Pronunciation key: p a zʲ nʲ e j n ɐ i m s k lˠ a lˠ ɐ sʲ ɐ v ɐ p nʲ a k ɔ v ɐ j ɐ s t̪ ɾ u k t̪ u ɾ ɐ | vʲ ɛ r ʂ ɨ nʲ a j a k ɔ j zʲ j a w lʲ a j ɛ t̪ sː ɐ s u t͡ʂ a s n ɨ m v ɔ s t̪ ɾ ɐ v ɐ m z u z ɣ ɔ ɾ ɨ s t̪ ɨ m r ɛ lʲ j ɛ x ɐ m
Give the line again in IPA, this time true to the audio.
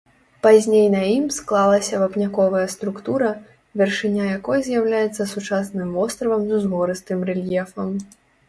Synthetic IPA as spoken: p a zʲ nʲ e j n ɐ i m s k lˠ a lˠ ɐ sʲ ɐ v ɐ p nʲ a k ɔ v ɐ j ɐ s t̪ ɾ u k t̪ u ɾ ɐ | vʲ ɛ r ʂ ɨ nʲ a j a k ɔ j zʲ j a w lʲ a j ɛ t̪ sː ɐ s u t͡ʂ a s n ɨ m v ɔ s t̪ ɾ ɐ v ɐ m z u z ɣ ɔ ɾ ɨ s t̪ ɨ m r ɛ lʲ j ɛ f ɐ m

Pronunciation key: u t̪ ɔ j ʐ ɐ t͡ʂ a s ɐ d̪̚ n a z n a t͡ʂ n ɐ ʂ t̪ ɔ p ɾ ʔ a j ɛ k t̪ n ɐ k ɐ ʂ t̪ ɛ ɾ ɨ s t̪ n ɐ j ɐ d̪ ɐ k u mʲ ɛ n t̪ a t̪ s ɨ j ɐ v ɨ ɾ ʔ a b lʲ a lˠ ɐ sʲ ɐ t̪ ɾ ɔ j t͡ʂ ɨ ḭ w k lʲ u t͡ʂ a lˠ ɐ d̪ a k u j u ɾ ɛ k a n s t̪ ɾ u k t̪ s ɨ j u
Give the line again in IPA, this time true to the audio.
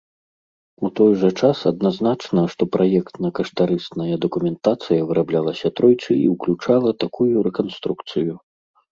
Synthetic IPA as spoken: u t̪ ɔ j ʐ ɐ t͡ʂ a s ɐ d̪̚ n a z n a t͡ʂ n ɐ ʂ t̪ ɔ p ɾ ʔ a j ɛ k t̪ n ɐ k ɐ ʂ t̪ a ɾ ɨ s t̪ n ɐ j ɐ d̪ ɐ k u mʲ ɛ n t̪ a t̪ s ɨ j ɐ v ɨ ɾ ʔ a b lʲ a lˠ ɐ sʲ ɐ t̪ ɾ ɔ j t͡ʂ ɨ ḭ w k lʲ u t͡ʂ a lˠ ɐ t̪ a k u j u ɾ ɛ k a n s t̪ ɾ u k t̪ s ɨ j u

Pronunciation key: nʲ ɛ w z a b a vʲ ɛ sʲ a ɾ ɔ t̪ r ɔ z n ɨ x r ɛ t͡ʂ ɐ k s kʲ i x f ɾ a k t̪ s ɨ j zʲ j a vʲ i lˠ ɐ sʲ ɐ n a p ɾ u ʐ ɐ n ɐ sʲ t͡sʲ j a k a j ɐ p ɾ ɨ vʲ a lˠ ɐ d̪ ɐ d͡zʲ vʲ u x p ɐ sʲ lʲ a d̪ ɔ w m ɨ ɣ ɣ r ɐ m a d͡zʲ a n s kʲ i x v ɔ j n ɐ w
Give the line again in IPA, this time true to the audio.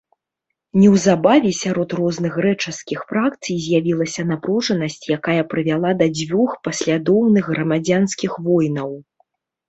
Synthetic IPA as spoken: nʲ ɛ w z a b a vʲ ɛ sʲ a ɾ ɔ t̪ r ɔ z n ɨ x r ɛ t͡ʂ ɐ s kʲ i x f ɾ a k t̪ s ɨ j zʲ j a vʲ i lˠ ɐ sʲ ɐ n a p ɾ u ʐ ɐ n ɐ sʲ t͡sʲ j a k a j ɐ p ɾ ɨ vʲ a lˠ a d̪ ɐ d͡zʲ vʲ u x p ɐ sʲ lʲ a d̪ ɔ w n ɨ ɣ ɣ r ɐ m a d͡zʲ a n s kʲ i x v ɔ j n ɐ w

